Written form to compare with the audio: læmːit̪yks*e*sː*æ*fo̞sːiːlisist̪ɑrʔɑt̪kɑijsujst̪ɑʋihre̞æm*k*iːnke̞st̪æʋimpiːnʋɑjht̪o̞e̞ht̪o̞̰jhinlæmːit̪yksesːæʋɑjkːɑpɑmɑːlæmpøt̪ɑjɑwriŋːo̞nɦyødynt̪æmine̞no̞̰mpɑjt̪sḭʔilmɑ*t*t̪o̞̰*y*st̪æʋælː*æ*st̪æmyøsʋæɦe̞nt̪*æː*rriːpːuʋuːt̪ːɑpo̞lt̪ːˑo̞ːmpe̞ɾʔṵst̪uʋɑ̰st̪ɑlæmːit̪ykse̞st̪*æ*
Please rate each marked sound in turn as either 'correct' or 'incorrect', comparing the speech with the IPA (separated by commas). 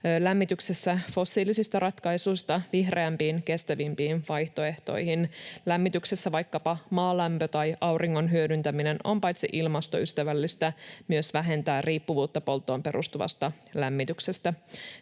correct, correct, incorrect, incorrect, correct, incorrect, correct, correct